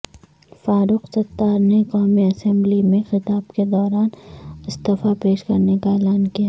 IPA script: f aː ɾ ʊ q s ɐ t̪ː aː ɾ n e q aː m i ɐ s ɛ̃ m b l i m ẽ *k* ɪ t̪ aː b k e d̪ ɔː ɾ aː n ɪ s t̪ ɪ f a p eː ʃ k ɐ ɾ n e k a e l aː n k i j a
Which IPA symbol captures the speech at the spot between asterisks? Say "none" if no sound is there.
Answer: x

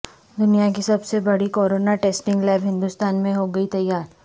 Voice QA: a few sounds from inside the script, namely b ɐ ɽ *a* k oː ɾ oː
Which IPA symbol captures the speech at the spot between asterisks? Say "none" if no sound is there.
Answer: i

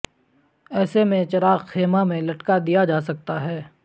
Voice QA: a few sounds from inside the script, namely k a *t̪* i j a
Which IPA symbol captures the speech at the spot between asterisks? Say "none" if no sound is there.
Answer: d̪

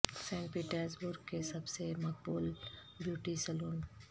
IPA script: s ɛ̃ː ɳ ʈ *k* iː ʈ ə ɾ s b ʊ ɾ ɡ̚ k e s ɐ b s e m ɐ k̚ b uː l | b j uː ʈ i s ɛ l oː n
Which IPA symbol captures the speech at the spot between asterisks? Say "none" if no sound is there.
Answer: p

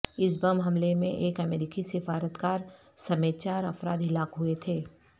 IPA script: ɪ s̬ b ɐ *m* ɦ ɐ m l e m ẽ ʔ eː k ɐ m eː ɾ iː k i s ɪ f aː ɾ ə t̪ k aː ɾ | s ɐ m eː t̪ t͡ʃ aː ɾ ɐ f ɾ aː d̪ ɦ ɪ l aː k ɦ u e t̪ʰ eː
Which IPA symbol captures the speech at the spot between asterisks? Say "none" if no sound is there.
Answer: m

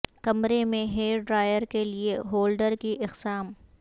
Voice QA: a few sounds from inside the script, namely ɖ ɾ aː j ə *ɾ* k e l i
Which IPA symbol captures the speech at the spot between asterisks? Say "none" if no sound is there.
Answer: ɾ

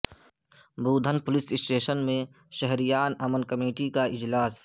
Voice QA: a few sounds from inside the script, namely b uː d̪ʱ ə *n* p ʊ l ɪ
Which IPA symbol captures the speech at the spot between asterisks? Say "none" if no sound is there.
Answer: n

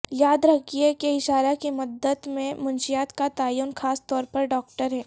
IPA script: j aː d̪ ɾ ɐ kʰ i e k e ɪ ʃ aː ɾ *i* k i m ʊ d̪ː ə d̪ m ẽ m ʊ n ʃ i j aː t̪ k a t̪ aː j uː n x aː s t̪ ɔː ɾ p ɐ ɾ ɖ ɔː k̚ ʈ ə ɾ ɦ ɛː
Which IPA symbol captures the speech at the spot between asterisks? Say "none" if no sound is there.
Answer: a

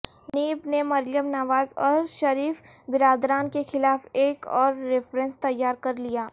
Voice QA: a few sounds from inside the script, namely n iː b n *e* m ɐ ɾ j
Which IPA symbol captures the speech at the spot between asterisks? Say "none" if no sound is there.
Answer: e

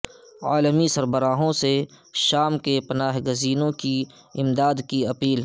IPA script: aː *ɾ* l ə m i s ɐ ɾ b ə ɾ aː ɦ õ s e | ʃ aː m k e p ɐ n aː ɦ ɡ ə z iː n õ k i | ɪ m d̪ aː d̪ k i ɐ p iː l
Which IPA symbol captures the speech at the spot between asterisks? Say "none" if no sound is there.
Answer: none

